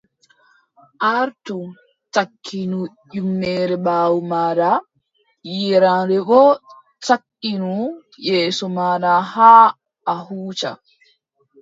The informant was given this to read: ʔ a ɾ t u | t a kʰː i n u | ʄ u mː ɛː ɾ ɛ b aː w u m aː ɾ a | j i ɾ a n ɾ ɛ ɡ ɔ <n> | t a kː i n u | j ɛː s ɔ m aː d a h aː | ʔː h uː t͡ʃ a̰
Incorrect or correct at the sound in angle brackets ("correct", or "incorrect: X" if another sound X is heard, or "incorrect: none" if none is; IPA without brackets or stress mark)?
incorrect: none